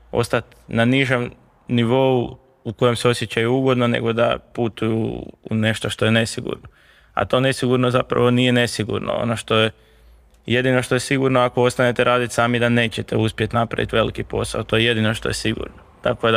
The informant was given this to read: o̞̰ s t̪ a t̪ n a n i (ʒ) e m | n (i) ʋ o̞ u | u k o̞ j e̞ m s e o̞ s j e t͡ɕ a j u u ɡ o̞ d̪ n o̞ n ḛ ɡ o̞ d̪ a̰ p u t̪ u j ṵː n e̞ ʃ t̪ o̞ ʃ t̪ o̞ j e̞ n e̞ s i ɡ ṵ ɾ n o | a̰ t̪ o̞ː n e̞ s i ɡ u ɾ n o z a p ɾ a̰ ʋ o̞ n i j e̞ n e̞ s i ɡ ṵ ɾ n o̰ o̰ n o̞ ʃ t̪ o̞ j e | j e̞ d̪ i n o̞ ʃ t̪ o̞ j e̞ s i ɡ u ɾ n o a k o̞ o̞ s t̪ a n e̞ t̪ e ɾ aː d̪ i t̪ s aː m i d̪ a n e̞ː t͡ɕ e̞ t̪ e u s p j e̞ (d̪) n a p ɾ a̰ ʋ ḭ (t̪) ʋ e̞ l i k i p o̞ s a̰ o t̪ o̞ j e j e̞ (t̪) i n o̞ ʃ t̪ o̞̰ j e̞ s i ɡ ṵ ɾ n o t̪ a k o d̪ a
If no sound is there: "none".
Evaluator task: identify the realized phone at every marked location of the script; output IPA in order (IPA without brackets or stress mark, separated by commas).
ʒ, i, t̪, t̪, d̪